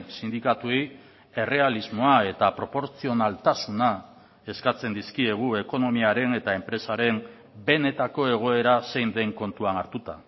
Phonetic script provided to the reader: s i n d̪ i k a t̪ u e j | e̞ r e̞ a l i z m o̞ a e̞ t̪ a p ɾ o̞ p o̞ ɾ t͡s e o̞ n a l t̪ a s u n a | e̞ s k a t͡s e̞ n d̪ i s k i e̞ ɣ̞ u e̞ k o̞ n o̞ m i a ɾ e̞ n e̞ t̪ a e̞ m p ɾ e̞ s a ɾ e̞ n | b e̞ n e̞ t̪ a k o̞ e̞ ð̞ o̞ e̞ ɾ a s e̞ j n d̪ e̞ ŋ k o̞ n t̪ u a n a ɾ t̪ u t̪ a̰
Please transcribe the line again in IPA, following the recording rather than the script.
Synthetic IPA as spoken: s i n d̪ i k a t̪ u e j | e̞ r e̞ a l i z m o̞ a e̞ t̪ a p ɾ o̞ p o̞ ɾ t͡s i o̞ n a l t̪ a s u n a | e̞ s k a t͡s e̞ n d̪ i s k i e̞ ɣ̞ u e̞ k o̞ n o̞ m i a ɾ e̞ n e̞ t̪ a e̞ m p ɾ e̞ s a ɾ e̞ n | b e̞ n e̞ t̪ a k o̞ e̞ ɣ̞ o̞ e̞ ɾ a s e̞ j n d̪ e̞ ŋ k o̞ n t̪ u a n a ɾ t̪ u t̪ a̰